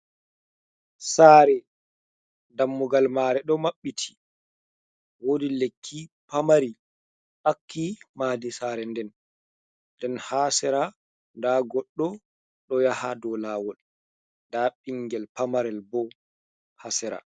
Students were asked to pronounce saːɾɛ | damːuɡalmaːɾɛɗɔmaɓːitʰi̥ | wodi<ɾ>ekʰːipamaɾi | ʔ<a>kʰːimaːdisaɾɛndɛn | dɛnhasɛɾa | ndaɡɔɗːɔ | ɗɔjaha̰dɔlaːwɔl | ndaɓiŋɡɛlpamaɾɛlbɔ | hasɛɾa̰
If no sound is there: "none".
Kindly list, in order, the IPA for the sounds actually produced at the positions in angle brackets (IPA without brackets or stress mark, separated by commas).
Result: l, a